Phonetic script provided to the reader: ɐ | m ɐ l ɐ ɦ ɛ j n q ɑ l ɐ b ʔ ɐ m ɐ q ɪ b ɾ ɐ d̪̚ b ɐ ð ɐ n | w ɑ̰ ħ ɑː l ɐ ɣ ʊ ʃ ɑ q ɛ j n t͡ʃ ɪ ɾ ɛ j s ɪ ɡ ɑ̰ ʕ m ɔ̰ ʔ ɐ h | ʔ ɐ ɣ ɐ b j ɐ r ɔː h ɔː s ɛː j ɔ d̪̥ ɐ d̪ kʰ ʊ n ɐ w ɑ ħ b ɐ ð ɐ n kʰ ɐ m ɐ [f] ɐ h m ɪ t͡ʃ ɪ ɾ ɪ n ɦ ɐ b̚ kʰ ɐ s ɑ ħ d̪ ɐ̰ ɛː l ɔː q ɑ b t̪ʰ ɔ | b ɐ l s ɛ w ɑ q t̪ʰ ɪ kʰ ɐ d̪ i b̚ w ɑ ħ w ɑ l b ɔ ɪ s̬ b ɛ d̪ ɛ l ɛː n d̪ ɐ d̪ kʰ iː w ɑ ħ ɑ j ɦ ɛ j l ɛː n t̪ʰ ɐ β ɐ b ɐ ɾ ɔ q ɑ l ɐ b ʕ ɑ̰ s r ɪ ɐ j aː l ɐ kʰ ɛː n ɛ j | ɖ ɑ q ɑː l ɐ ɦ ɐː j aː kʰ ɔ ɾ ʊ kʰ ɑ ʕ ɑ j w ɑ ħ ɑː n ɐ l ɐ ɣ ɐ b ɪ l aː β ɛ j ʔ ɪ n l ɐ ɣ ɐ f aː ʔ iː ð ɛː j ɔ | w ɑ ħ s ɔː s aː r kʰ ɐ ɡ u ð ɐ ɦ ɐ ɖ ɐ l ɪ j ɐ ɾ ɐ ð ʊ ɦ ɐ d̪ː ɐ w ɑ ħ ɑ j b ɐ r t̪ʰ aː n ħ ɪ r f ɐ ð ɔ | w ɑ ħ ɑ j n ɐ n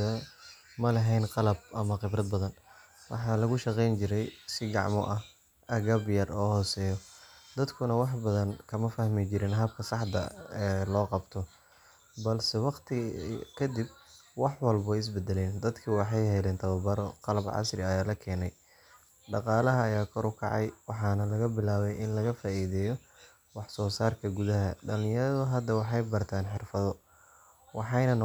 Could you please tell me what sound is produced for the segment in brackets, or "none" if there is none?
f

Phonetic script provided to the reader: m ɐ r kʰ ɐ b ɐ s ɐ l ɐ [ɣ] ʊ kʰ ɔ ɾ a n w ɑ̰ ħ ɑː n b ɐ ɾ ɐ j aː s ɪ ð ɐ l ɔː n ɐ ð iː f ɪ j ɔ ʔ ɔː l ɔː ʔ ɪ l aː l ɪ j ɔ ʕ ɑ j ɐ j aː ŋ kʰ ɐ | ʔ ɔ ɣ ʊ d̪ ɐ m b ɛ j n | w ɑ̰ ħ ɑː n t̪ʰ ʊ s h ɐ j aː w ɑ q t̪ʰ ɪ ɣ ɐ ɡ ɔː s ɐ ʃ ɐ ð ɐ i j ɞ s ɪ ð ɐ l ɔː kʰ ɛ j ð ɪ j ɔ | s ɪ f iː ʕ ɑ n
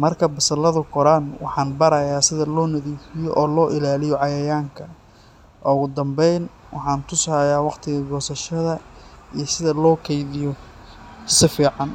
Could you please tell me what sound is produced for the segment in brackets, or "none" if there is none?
ð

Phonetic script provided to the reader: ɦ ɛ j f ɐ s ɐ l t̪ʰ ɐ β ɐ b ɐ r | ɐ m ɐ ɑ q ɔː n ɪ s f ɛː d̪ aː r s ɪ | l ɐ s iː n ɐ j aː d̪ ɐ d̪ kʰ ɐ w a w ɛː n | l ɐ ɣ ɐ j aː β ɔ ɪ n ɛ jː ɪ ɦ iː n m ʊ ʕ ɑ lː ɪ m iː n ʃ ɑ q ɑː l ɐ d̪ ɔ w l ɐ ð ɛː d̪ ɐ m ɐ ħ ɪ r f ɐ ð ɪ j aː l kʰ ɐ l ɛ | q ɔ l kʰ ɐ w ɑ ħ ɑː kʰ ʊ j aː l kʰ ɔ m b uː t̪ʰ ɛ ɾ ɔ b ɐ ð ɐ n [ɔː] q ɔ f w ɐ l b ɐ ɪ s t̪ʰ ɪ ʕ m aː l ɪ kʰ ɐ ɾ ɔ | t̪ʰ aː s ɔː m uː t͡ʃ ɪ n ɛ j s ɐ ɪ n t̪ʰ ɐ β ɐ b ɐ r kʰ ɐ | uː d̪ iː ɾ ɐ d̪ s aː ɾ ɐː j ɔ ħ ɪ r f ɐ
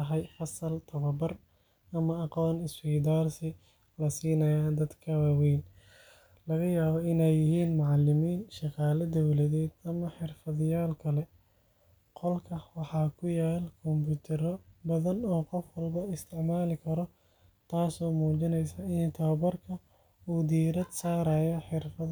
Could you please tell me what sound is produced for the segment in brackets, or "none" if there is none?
ɔː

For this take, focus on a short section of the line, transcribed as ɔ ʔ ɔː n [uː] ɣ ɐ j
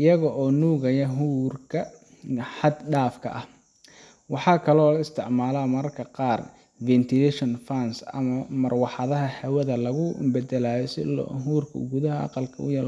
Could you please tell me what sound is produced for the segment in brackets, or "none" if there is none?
uː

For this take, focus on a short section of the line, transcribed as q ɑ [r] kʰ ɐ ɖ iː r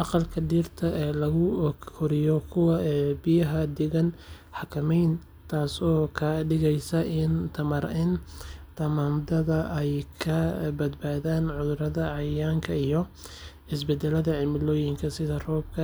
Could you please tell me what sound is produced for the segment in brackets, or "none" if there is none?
l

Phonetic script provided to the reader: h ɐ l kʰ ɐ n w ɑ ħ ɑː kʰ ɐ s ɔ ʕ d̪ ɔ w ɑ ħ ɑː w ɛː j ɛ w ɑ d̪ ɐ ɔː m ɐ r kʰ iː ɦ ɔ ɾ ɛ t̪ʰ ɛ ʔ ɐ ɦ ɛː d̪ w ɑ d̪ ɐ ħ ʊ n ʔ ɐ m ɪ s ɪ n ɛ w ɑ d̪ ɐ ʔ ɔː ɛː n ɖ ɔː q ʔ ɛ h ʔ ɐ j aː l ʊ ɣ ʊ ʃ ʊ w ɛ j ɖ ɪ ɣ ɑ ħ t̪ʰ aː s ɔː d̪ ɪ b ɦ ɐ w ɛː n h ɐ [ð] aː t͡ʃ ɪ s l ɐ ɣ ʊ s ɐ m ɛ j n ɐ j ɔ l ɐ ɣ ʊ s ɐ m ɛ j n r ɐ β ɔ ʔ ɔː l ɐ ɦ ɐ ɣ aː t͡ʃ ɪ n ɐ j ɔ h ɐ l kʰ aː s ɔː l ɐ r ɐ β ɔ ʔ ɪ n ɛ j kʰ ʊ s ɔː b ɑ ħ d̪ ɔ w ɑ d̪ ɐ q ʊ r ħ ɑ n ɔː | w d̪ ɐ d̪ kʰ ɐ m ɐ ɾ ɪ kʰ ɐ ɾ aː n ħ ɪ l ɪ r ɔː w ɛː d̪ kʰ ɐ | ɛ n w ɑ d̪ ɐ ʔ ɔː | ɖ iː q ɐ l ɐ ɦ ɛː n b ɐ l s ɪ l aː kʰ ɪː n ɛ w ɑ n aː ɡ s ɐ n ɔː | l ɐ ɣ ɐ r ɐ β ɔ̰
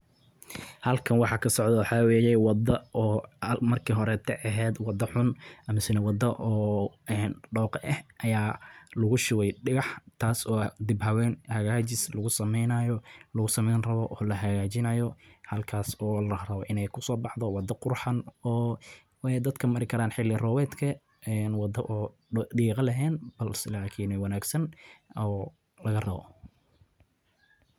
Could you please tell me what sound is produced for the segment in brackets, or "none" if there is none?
ɣ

